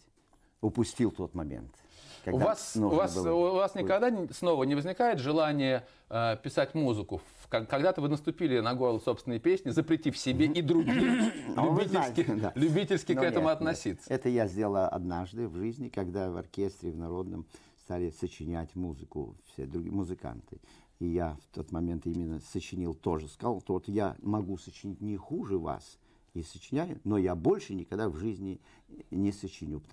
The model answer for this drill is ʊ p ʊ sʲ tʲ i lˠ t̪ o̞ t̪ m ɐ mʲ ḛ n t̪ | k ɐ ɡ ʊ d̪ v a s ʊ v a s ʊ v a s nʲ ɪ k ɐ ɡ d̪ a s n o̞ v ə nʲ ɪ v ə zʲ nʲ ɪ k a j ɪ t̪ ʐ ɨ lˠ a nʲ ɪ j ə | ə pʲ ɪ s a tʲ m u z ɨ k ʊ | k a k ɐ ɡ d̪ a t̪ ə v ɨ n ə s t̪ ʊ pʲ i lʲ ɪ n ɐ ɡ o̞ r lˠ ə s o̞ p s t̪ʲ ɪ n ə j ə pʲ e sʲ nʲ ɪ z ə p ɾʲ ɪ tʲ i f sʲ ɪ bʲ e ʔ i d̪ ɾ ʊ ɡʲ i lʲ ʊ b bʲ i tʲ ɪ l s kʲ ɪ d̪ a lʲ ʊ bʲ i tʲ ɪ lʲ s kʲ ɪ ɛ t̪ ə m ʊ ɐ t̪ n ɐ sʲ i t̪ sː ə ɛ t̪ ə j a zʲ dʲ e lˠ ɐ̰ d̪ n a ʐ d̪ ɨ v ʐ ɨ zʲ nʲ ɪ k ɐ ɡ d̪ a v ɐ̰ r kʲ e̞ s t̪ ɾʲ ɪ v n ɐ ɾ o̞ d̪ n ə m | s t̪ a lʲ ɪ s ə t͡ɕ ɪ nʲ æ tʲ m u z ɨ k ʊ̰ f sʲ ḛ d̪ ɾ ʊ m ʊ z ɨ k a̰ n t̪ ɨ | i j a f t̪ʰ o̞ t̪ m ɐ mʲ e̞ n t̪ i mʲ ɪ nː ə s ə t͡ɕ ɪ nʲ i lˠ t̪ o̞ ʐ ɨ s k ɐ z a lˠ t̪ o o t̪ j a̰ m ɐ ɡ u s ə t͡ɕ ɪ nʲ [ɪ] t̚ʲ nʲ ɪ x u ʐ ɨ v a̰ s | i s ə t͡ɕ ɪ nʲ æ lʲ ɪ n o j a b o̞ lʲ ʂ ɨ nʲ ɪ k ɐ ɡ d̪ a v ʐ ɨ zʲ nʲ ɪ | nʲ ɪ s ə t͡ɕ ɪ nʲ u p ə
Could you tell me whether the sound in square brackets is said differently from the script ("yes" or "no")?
yes